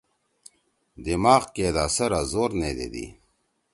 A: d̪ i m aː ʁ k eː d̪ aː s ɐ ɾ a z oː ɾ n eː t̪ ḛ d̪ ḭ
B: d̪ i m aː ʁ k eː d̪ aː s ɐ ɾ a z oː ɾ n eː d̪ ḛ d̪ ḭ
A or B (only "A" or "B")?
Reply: B